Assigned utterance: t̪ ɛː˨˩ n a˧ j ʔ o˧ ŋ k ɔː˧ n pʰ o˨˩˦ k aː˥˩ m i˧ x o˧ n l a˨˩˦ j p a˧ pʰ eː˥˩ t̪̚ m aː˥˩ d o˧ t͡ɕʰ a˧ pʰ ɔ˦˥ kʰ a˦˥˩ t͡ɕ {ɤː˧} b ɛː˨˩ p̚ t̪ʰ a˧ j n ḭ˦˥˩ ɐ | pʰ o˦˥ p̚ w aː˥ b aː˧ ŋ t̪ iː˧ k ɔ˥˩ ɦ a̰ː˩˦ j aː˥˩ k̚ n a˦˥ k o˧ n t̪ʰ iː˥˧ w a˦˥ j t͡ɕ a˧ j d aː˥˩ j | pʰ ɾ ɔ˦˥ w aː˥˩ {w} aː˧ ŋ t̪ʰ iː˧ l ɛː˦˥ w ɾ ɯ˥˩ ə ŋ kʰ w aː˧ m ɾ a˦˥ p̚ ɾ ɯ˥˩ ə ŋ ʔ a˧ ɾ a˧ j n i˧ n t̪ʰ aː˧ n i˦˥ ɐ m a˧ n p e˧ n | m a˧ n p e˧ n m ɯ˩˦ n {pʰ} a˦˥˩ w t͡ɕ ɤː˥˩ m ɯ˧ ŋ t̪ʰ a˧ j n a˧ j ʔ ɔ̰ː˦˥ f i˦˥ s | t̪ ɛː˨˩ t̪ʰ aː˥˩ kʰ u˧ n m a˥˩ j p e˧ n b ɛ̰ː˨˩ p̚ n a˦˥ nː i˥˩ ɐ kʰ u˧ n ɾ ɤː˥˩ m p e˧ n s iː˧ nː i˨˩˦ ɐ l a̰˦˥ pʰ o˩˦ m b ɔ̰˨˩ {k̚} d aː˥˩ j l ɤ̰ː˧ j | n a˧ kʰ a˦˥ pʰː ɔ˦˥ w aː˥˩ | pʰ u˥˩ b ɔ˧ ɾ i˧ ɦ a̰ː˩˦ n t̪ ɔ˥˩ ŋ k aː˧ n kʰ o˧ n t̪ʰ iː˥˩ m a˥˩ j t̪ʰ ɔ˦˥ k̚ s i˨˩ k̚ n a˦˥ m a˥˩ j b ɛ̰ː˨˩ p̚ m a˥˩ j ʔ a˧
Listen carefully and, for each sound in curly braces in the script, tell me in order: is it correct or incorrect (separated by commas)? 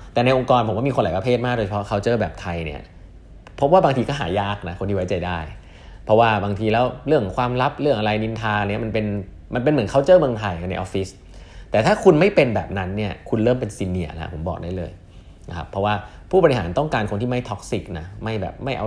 incorrect, incorrect, incorrect, correct